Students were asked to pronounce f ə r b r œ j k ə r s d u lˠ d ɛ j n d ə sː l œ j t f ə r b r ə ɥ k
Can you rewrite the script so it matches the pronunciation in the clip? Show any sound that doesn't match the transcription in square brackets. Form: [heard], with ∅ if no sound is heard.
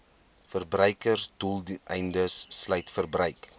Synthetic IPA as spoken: f ə r b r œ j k ə r s d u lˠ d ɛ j n d ə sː l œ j t f ə r b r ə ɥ k